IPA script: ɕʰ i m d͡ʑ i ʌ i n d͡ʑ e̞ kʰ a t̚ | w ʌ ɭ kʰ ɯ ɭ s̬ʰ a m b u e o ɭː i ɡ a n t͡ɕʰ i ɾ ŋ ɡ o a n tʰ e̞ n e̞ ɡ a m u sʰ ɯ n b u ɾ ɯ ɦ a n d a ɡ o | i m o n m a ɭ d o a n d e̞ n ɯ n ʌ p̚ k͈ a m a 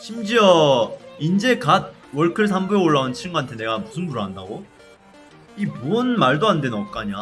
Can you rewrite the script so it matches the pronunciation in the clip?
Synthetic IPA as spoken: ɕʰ i m d͡ʑ i ʌ i n d͡ʑ e̞ k a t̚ | w ʌ ɭ kʰ ɯ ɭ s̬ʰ a m b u e o ɭː a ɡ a n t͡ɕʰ i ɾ ŋ ɡ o a n tʰ e̞ n e̞ ɡ a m u sʰ ɯ n b u ɾ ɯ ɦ a n d a ɡ o | i m o n m a ɭ d o a n d e̞ n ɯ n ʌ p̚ k͈ a ɲ a

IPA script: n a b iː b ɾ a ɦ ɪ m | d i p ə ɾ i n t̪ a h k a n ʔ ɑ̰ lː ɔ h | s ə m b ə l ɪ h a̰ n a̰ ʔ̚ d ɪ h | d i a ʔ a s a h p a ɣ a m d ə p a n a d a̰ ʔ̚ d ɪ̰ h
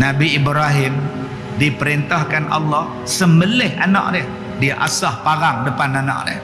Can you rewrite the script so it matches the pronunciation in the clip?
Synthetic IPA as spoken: n a b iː b ɾ a ɦ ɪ m | d i p ə ɾ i n t̪ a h k a n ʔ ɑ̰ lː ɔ h | s ə m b ə l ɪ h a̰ n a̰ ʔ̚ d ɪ h | d i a ʔ a s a h p a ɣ a ŋ d ə p a n a n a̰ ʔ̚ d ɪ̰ h

